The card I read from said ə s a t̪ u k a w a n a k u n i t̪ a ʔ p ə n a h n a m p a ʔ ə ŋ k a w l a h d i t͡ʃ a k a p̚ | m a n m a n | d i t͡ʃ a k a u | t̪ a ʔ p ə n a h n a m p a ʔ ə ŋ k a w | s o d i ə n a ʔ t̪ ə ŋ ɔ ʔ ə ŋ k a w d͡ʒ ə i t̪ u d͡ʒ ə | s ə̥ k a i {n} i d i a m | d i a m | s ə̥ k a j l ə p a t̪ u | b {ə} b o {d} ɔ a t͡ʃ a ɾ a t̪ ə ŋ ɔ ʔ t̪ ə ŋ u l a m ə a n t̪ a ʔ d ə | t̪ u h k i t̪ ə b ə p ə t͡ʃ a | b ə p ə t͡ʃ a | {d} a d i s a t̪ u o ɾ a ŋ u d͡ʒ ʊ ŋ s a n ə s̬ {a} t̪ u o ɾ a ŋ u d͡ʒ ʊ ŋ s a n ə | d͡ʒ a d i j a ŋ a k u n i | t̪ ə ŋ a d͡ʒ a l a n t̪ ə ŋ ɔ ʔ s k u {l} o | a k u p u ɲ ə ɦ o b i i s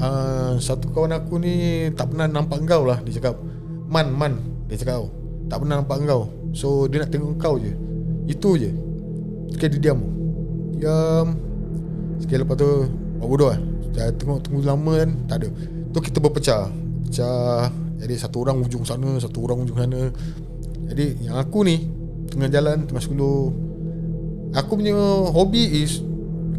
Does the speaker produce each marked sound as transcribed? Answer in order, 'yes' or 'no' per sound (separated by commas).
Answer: no, no, yes, no, yes, yes